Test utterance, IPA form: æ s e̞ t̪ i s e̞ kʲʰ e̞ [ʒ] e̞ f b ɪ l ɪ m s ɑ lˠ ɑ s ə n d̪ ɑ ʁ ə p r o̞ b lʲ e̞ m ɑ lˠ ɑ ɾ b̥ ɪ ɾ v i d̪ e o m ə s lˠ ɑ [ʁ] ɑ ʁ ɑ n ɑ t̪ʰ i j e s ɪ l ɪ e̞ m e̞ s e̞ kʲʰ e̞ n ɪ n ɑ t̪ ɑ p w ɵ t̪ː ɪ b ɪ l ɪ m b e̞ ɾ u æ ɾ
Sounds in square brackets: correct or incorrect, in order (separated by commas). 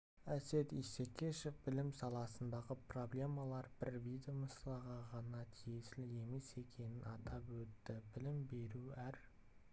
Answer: incorrect, correct